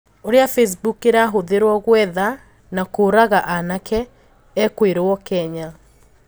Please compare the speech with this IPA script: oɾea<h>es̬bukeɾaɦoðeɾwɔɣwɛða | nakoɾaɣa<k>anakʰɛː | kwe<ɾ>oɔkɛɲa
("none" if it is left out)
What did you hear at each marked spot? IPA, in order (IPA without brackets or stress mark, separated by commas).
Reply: f, ʔ, ɾ